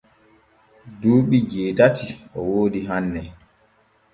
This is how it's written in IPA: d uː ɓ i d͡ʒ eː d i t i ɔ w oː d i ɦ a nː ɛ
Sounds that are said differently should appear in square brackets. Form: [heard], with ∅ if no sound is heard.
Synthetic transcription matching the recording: d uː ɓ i d͡ʒ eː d [a] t i ɔ w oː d i ɦ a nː ɛ